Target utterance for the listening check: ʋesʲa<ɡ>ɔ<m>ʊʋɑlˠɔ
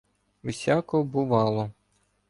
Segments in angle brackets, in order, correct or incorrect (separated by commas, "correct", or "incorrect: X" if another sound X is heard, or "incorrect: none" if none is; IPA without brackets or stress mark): incorrect: k, incorrect: b